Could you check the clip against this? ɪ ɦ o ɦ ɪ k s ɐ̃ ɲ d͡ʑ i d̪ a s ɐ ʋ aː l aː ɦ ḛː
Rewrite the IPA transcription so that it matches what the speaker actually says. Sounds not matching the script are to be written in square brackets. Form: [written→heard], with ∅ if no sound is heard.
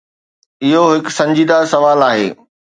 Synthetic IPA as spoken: ɪ ɦ o ɦ ɪ k s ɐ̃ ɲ d͡ʑ [i→iː] d̪ a s ɐ ʋ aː l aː ɦ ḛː